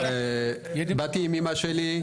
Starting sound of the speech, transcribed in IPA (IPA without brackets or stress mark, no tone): b